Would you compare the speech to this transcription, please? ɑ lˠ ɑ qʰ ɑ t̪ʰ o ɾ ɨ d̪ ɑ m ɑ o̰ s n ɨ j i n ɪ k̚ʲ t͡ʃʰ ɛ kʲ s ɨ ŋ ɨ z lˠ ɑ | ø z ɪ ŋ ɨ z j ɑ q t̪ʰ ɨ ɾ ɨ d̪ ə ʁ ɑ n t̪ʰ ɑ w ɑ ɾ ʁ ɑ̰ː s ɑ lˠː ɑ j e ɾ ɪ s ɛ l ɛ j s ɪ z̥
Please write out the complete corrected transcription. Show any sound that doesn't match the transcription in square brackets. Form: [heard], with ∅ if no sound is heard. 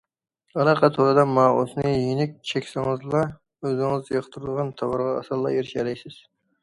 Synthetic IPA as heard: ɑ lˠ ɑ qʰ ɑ t̪ʰ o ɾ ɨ d̪ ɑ m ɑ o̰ s n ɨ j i n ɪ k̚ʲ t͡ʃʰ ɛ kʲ s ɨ ŋ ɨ z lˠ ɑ | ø z ɪ ŋ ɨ z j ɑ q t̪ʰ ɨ ɾ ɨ d̪ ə ʁ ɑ n t̪ʰ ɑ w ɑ ɾ ʁ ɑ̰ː s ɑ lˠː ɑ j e ɾ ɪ [ʃ] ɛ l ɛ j s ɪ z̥